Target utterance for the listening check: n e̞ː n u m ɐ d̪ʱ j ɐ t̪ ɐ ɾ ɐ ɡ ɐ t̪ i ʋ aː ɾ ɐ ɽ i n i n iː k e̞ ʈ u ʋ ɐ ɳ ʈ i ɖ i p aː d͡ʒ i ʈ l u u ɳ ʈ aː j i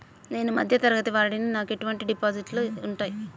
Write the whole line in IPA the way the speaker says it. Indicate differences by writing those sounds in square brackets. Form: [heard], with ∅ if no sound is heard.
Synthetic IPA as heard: n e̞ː n u m ɐ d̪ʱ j ɐ t̪ ɐ ɾ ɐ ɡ ɐ t̪ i ʋ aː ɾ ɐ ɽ i n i n [aː] k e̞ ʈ u ʋ ɐ ɳ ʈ i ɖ i p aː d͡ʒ i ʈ l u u ɳ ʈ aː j i